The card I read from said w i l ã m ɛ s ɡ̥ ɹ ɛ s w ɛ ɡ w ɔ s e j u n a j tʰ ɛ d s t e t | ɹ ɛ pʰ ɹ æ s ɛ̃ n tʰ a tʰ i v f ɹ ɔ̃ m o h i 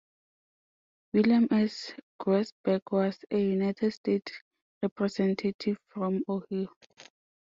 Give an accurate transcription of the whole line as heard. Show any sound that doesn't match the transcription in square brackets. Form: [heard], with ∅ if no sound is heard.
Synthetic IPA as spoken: w i l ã m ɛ s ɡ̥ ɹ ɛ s [b] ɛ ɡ w ɔ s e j u n a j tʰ ɛ d s t e t | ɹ ɛ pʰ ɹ [ɛ] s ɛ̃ n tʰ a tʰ i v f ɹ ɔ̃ m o h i